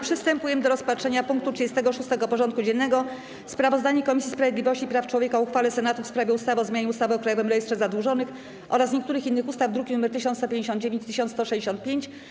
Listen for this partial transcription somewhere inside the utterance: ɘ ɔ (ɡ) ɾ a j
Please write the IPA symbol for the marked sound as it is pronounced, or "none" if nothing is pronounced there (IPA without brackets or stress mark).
k